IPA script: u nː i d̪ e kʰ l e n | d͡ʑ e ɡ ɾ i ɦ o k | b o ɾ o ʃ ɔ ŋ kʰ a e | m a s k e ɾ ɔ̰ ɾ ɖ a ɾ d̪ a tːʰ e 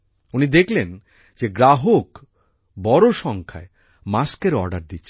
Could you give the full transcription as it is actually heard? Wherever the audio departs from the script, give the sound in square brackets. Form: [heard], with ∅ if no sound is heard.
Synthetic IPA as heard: u [n] i d̪ e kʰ l e n | d͡ʑ e ɡ ɾ [a] ɦ o k | b [ɔ] ɾ o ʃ ɔ ŋ kʰ a e | m a s k e ɾ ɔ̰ ɾ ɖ a ɾ d̪ [i] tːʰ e